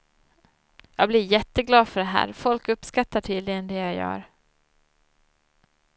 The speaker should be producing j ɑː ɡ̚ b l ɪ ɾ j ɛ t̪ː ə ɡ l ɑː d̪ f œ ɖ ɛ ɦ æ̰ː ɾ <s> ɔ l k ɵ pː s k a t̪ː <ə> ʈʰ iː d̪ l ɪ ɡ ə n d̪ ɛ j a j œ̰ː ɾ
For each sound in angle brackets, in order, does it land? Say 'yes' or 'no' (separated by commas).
no, no